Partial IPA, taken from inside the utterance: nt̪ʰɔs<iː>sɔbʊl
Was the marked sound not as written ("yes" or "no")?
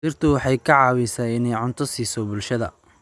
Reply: no